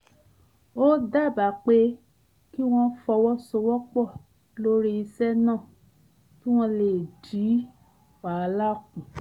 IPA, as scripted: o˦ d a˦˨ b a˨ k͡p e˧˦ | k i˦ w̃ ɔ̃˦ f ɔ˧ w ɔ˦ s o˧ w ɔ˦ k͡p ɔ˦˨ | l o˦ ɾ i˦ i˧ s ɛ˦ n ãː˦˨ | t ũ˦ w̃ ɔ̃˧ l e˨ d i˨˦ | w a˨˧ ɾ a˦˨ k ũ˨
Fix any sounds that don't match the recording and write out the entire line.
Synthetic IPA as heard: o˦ d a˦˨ b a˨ k͡p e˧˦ | k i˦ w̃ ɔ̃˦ f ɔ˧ w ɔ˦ s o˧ w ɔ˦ k͡p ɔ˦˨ | l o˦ ɾ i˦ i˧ s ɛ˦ n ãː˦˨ | t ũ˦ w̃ ɔ̃˧ l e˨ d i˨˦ | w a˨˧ l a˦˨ k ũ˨